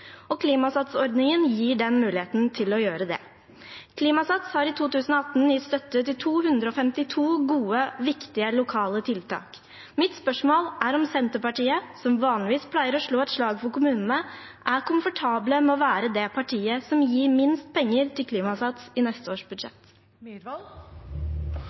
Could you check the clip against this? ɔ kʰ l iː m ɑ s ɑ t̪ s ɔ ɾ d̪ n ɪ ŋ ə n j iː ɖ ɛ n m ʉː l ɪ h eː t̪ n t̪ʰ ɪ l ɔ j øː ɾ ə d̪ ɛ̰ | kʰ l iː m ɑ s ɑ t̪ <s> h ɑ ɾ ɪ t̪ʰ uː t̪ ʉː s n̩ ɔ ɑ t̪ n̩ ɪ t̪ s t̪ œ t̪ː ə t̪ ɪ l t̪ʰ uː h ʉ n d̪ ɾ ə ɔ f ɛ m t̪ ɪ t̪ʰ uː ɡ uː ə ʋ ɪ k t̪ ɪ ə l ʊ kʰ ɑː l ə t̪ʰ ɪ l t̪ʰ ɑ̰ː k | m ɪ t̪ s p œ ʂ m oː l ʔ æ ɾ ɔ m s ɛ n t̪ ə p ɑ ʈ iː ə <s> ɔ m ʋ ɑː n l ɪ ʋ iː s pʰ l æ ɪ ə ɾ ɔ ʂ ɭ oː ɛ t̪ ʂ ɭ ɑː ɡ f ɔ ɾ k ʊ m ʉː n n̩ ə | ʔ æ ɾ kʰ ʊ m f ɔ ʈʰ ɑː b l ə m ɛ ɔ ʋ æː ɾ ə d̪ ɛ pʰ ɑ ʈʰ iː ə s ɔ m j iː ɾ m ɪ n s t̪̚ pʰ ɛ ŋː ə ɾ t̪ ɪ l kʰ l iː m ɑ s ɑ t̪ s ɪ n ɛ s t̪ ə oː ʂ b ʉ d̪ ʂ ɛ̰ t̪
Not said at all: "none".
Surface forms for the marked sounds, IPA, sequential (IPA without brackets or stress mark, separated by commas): s, s